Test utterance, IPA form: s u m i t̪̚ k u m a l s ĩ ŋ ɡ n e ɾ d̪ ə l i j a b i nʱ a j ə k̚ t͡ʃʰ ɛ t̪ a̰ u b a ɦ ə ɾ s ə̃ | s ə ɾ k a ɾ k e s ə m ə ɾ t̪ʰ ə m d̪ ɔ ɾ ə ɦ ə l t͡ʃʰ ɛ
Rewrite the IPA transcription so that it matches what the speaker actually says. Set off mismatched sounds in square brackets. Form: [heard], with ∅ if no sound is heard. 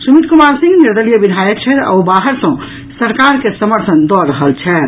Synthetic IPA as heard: s u m i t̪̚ k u m a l s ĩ ŋ ɡ n [i] ɾ d̪ ə l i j [ə] b i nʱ a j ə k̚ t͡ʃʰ ɛ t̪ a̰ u b a ɦ ə ɾ s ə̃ | s ə ɾ k a ɾ k e s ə m ə ɾ t̪ʰ ə [n] d̪ ɔ ɾ ə ɦ ə l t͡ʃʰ ɛ